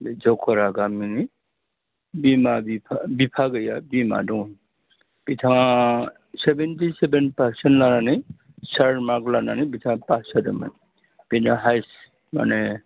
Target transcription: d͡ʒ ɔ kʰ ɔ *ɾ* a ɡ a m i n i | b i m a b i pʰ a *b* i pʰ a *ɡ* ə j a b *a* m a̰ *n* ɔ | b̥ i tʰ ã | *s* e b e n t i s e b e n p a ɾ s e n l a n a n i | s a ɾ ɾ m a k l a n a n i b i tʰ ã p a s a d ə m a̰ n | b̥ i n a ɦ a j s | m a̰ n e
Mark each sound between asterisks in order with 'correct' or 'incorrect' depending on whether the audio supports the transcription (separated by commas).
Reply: correct, correct, correct, incorrect, incorrect, correct